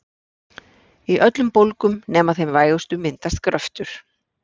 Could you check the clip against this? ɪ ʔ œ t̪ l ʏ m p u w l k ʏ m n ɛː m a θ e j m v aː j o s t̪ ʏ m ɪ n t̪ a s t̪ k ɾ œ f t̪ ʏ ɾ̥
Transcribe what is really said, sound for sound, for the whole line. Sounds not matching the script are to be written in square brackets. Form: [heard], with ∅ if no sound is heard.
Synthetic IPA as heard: [i] ʔ œ t̪ l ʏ m p [o] w l k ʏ m n ɛː m a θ e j m v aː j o s t̪ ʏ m ɪ n t̪ a s t̪ k ɾ œ f t̪ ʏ ɾ̥